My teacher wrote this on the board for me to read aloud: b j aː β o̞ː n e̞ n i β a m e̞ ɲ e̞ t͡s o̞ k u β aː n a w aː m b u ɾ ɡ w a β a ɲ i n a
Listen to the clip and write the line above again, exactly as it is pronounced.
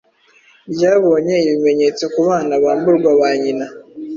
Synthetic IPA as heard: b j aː β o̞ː ɲ e̞ i β i m e̞ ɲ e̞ t͡s o̞ k u β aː n a β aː m b u ɾ ɡ w a β a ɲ i n a